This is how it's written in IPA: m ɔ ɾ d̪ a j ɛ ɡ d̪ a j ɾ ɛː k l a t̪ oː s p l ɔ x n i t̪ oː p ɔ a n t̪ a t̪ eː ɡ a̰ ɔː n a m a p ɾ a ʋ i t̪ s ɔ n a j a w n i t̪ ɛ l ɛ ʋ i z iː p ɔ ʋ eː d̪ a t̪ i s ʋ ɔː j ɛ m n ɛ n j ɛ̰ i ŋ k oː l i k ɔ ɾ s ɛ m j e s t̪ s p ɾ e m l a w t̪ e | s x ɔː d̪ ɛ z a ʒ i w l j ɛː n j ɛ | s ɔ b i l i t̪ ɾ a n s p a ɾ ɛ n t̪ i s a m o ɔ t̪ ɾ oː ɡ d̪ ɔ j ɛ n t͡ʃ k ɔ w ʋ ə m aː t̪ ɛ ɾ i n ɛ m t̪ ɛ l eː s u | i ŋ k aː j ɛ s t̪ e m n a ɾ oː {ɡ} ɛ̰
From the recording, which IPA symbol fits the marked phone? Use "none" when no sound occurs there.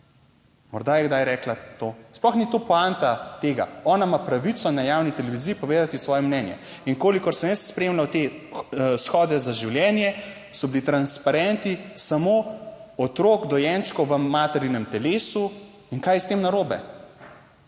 b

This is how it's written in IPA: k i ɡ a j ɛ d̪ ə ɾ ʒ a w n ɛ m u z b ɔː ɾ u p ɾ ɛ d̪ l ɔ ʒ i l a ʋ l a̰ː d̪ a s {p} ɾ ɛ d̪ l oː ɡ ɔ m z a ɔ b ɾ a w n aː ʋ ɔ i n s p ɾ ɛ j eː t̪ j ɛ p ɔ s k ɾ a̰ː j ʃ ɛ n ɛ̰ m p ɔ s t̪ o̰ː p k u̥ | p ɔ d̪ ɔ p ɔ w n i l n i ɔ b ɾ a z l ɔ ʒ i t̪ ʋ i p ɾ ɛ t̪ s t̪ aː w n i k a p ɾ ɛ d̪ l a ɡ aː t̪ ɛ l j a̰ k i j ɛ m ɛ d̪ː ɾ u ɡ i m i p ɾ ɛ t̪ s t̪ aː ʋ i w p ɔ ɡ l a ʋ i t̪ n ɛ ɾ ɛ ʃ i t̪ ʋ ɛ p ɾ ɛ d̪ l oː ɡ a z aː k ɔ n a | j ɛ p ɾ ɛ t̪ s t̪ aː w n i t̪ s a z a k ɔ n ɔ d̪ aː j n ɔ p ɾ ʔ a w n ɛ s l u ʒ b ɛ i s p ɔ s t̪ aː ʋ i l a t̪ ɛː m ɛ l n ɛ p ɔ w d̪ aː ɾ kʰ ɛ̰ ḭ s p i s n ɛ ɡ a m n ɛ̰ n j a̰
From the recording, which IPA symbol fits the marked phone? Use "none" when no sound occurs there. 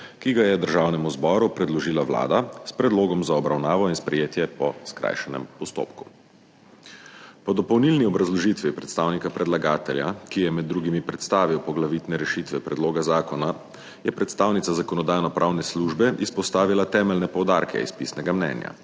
p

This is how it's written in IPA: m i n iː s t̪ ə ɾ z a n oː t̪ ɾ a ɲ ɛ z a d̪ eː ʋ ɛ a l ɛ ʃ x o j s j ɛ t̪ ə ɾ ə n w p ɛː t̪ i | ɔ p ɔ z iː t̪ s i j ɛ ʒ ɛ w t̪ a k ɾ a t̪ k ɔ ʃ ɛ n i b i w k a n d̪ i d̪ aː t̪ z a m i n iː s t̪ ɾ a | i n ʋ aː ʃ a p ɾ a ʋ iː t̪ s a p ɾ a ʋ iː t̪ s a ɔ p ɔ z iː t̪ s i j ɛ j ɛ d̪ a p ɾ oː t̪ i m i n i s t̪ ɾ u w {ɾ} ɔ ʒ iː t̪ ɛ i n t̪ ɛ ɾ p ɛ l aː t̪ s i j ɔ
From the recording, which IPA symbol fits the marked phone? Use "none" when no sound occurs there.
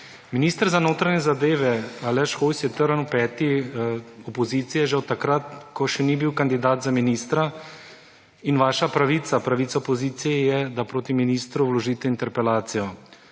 l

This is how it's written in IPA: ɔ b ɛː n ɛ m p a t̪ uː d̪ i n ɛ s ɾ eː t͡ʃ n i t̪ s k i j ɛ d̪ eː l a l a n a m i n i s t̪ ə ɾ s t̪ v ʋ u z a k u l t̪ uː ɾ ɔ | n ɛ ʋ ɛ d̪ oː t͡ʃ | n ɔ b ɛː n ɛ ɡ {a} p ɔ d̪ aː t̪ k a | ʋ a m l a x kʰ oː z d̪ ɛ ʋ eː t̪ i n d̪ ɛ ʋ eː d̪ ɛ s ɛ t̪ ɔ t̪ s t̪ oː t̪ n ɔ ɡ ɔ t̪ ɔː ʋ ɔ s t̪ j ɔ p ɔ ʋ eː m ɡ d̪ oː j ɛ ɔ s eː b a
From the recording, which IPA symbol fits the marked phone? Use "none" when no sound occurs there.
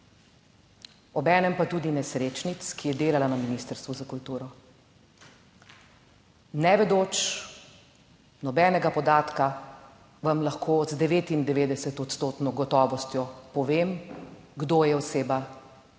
a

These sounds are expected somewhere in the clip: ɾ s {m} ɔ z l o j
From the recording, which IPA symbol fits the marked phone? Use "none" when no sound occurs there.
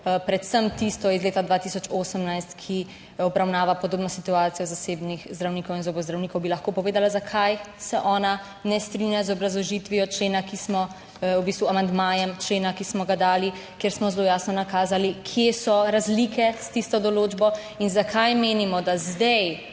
m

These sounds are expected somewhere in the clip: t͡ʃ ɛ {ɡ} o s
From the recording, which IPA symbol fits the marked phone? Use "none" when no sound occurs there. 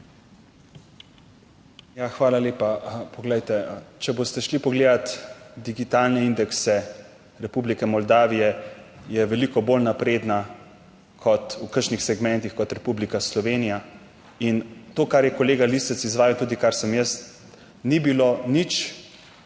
b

